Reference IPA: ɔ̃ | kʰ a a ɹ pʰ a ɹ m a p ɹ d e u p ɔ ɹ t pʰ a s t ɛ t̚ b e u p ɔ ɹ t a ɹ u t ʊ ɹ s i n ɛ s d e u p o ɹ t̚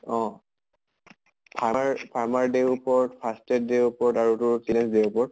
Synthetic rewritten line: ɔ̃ | pʰ a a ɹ pʰ a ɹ m a ɹ d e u p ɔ ɹ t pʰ a s t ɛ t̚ d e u p ɔ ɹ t a ɹ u t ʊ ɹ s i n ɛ s d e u p ɔ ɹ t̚